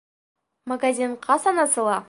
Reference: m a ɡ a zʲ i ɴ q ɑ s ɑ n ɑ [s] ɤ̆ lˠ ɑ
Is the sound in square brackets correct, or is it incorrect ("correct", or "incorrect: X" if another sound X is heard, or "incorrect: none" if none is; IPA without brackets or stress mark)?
correct